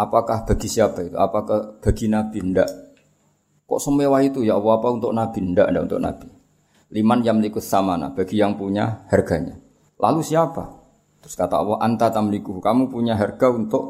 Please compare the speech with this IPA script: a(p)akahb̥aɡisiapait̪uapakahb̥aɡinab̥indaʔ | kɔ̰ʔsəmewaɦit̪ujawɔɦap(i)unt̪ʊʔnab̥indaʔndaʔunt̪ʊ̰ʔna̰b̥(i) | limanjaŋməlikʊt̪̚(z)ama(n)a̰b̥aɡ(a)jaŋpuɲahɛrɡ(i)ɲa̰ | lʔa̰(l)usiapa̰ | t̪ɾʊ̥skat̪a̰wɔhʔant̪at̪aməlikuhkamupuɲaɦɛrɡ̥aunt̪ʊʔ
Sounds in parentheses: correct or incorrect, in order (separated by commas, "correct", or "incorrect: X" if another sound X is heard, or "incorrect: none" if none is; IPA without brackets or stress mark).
correct, incorrect: a, correct, incorrect: s, correct, incorrect: i, incorrect: a, correct